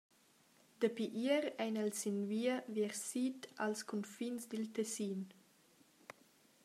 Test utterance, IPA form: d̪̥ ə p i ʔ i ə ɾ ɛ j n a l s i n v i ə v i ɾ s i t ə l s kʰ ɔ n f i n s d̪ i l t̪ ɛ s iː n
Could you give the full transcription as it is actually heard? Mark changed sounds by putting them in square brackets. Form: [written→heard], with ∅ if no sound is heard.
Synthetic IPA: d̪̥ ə p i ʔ i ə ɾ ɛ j n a l s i n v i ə v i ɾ s i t [ə→a] l s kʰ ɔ n f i n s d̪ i l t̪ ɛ s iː n